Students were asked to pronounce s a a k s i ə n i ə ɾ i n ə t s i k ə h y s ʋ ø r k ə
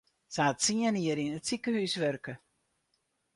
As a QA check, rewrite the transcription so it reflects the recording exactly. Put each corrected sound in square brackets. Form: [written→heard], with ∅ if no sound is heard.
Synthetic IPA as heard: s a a [k→t] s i ə n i ə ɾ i n ə t s i k ə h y s ʋ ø r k ə

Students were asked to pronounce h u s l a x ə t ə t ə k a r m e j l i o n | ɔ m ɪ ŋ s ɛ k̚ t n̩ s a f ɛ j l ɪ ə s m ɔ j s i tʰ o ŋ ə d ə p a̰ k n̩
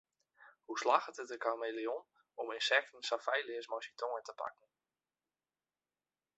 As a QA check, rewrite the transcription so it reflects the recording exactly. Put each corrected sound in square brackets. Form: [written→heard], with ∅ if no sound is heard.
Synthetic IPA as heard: h u s l a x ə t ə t ə k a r m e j l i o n | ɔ m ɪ [ŋ→n] s ɛ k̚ t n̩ s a f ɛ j l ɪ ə s m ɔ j s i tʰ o ŋ ə [d→t] ə p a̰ k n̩

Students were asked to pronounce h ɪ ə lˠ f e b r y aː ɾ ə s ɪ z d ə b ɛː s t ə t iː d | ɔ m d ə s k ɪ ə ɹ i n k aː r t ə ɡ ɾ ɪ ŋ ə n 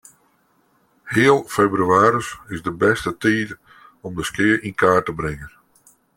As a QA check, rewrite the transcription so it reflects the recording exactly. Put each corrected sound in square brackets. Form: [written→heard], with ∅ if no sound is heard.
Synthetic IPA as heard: h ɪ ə lˠ f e b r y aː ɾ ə s ɪ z d ə b [ɛː→ɛ] s t ə t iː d | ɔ m d ə s k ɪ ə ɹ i n k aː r t ə [ɡ→b] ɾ ɪ ŋ ə n

